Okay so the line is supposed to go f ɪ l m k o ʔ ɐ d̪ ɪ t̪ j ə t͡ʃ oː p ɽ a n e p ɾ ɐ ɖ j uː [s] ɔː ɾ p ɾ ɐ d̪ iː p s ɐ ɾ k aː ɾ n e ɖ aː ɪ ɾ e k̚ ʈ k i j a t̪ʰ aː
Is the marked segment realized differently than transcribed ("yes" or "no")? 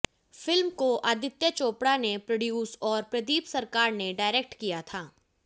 no